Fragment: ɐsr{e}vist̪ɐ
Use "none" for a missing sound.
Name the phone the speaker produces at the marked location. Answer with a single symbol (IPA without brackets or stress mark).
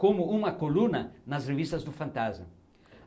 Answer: e